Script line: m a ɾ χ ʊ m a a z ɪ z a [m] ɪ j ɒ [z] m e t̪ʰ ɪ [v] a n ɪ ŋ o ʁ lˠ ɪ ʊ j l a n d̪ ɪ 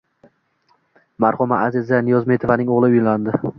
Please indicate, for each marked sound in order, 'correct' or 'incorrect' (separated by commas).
incorrect, correct, correct